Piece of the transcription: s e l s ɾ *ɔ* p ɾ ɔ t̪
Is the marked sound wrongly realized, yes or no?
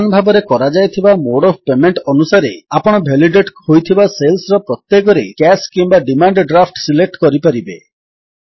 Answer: no